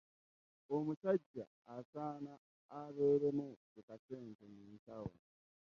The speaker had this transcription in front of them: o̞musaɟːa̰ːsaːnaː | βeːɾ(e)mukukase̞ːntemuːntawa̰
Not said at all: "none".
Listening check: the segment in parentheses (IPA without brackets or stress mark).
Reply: e